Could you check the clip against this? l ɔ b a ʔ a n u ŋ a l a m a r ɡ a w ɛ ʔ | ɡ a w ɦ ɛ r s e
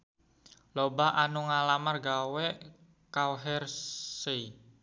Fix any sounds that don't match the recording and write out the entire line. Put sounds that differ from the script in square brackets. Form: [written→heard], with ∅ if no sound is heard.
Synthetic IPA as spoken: l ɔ b a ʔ a n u ŋ a l a m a r ɡ a w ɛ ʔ | [ɡ→k] a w ɦ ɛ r s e